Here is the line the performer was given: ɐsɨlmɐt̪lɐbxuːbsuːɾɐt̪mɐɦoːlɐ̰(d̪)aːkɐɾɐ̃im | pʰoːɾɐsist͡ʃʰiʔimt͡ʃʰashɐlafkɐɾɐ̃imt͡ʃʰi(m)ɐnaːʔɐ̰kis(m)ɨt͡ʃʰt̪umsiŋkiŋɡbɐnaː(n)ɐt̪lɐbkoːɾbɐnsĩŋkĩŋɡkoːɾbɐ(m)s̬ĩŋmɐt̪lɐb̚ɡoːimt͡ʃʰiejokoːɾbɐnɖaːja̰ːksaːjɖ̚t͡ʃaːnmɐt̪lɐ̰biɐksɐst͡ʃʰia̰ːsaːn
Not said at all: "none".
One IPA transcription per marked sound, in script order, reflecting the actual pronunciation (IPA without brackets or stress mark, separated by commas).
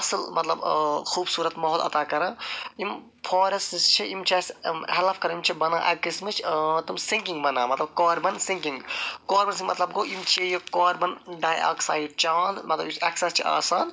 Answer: t̪, b, m, m, n